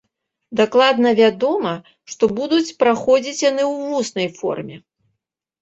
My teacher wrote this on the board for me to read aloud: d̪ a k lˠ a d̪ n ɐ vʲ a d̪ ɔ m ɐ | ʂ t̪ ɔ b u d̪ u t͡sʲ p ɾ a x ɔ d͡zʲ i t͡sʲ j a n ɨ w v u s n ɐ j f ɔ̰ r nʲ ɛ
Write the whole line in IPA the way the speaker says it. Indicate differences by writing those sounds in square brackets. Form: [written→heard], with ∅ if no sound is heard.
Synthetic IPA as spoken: d̪ a k lˠ a d̪ n ɐ vʲ a d̪ ɔ m ɐ | ʂ t̪ ɔ b u d̪ u t͡sʲ p ɾ a x ɔ d͡zʲ i t͡sʲ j a n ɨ w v u s n ɐ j f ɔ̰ r [nʲ→mʲ] ɛ